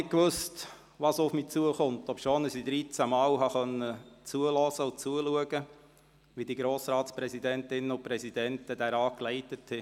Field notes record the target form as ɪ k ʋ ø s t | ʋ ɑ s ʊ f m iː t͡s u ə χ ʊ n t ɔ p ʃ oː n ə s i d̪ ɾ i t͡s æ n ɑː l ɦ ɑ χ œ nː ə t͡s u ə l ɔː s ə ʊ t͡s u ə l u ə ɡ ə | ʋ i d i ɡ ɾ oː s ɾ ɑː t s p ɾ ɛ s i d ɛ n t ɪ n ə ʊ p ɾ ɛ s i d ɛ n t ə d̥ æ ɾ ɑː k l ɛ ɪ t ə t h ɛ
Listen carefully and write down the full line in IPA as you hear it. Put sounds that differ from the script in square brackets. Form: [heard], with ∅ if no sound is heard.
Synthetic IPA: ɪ k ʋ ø s t | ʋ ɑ s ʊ f m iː t͡s u ə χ ʊ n t ɔ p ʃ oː n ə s i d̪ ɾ i t͡s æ [m] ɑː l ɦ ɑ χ œ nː ə t͡s u ə l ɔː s ə ʊ t͡s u ə l u ə ɡ ə | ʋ i d i ɡ ɾ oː s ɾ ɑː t s p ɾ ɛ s i d ɛ n t ɪ n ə ʊ p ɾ ɛ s i d ɛ n t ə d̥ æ ɾ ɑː k l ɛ ɪ t ə t h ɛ